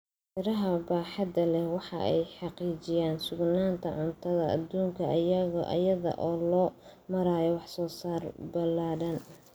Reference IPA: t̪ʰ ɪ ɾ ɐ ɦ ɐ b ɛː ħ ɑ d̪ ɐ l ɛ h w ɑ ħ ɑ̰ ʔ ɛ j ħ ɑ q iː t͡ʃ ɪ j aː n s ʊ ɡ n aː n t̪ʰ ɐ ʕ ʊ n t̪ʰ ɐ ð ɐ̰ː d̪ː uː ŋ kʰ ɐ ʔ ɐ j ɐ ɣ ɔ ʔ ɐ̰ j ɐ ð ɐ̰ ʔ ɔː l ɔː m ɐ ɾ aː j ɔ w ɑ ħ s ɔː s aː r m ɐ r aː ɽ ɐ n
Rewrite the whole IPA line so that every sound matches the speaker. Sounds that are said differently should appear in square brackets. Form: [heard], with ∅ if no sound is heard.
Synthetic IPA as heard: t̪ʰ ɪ ɾ ɐ ɦ ɐ b [aː] ħ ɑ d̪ ɐ l ɛ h w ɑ ħ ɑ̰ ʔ ɛ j ħ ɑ q iː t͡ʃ ɪ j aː n s ʊ ɡ n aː n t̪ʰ ɐ ʕ ʊ n t̪ʰ ɐ ð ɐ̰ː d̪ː uː ŋ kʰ ɐ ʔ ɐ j ɐ ɣ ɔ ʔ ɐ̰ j ɐ ð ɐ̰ ʔ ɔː l ɔː m ɐ ɾ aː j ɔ w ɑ ħ s ɔː s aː r [b] ɐ [l] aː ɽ ɐ n

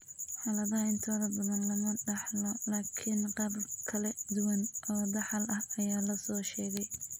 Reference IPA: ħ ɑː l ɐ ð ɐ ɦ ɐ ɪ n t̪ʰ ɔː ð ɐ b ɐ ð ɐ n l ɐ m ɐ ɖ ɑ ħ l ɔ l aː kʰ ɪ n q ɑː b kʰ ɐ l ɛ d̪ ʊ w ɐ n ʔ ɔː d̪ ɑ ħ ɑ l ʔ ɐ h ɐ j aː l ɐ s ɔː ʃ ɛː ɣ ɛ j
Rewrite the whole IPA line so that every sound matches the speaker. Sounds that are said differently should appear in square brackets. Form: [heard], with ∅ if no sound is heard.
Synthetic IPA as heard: ħ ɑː l ɐ ð ɐ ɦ ɐ ɪ n t̪ʰ ɔː ð ɐ b ɐ ð ɐ n l ɐ m ɐ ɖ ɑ ħ l ɔ l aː kʰ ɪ n q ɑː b kʰ ɐ l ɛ d̪ ʊ w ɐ n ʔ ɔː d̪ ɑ ħ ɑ l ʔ ɐ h ɐ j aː l ɐ s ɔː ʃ ɛː ɣ ɛ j

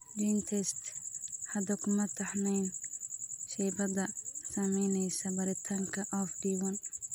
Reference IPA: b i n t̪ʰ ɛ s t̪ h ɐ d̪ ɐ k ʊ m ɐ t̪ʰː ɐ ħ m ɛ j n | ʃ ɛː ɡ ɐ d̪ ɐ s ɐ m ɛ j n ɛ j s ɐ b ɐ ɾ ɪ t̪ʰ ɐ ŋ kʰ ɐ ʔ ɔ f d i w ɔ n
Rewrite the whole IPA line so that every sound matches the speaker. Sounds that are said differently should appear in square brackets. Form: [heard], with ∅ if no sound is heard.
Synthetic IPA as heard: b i n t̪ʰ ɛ s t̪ h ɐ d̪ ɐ k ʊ m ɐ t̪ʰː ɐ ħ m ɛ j n | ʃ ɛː [b] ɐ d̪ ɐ s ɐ m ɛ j n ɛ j s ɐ b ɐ ɾ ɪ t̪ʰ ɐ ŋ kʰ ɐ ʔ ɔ f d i w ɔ n

